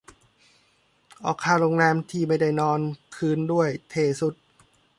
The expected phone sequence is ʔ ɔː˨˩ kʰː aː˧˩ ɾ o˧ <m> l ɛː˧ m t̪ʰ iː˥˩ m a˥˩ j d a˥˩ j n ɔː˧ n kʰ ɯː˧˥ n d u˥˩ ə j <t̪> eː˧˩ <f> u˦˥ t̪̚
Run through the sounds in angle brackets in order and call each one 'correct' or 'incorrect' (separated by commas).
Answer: incorrect, incorrect, incorrect